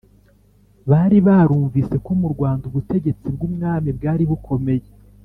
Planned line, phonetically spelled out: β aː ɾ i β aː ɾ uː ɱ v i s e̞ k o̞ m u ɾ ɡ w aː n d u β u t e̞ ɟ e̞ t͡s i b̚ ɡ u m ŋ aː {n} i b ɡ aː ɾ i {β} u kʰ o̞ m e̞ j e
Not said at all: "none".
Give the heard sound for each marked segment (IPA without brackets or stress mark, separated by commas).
m, β